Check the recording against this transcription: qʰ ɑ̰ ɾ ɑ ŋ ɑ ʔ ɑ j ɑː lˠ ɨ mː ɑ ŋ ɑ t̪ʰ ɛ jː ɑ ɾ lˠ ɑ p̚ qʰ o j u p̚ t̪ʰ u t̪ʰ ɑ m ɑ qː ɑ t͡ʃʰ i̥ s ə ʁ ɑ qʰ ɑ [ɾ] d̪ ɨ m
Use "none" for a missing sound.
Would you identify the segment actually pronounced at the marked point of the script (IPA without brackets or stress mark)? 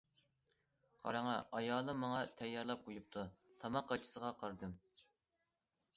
ɾ